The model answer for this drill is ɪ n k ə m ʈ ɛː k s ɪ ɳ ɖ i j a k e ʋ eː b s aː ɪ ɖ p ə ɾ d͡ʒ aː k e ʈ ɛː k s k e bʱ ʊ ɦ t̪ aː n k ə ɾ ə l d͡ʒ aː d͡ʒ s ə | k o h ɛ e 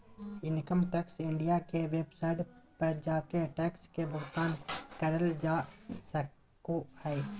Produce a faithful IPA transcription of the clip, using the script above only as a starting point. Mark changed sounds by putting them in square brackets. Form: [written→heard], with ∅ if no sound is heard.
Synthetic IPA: ɪ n k ə m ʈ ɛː k s ɪ ɳ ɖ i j a k e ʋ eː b s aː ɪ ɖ p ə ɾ d͡ʒ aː k e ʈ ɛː k s k e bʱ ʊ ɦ t̪ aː n k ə ɾ ə l d͡ʒ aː [d͡ʒ→∅] s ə | k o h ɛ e